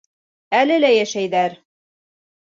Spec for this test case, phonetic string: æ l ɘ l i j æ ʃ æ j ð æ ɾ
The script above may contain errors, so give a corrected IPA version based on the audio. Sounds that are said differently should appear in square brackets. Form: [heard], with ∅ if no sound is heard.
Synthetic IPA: æ l ɘ l [æ] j æ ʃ æ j ð æ ɾ